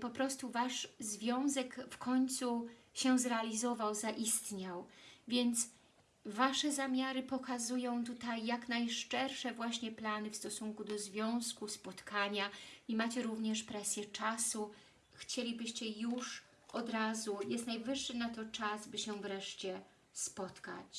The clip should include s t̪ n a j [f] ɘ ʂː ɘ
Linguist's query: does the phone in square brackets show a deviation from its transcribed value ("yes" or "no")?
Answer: yes